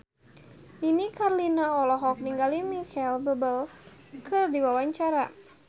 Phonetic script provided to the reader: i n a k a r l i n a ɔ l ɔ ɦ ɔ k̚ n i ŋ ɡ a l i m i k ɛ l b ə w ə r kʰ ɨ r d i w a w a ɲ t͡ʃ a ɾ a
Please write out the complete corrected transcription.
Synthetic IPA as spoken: i n i k a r l i n a ɔ l ɔ ɦ ɔ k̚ n i ŋ ɡ a l i m i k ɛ l b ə b ə l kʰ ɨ r d i w a w a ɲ t͡ʃ a ɾ a